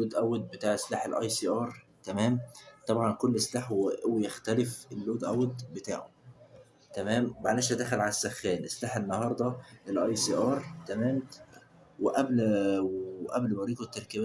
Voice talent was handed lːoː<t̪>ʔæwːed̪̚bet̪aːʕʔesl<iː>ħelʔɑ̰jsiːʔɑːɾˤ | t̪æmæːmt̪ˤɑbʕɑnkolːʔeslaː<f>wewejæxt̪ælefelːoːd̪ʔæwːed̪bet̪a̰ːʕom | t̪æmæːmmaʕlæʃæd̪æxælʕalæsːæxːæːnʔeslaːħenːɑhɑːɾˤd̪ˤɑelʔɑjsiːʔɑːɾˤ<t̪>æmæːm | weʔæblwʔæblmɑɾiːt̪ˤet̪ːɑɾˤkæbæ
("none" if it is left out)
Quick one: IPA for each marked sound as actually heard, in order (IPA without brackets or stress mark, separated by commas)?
d̪, aː, ħ, t̪